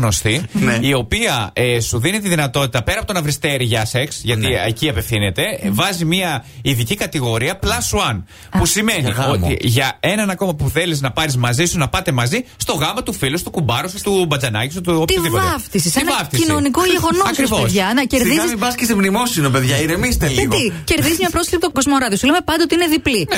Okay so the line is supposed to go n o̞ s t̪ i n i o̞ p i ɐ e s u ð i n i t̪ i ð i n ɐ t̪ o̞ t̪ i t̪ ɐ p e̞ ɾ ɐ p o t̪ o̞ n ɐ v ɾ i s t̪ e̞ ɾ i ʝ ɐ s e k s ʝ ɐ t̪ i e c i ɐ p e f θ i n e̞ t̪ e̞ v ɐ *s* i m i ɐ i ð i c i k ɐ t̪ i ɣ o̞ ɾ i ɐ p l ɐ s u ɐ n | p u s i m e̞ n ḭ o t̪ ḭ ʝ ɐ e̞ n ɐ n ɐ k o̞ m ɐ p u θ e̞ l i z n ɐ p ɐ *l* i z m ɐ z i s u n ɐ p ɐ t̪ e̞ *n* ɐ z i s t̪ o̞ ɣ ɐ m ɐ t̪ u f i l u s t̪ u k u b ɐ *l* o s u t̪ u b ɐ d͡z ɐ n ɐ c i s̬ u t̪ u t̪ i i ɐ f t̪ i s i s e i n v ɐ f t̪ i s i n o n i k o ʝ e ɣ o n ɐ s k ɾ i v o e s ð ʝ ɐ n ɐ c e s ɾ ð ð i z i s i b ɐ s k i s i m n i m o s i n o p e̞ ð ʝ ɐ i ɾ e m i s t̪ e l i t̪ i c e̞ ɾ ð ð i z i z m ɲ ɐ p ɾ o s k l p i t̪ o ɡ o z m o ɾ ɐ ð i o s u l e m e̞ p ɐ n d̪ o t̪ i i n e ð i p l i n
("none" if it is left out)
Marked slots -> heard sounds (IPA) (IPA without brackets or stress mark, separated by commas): z, ɾ, m, ɾ